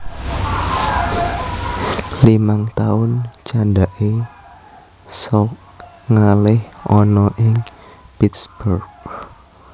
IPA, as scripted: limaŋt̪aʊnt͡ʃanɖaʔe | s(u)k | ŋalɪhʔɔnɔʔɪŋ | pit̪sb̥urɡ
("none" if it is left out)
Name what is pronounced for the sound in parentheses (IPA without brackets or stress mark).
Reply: ɔ